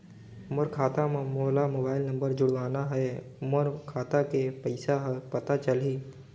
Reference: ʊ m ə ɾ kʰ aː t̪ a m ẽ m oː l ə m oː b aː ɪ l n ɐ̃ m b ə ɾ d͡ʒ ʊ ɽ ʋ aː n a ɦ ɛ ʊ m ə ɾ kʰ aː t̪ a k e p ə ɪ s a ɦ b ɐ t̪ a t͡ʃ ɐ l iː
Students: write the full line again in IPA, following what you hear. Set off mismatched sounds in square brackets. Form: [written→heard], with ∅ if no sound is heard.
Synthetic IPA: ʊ m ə ɾ kʰ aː t̪ a m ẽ m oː l [ə→a] m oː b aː ɪ l n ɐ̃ m b ə ɾ d͡ʒ ʊ ɽ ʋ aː n a ɦ ɛ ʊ m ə ɾ kʰ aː t̪ a k e p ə ɪ s a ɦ [b→p] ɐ t̪ a t͡ʃ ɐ l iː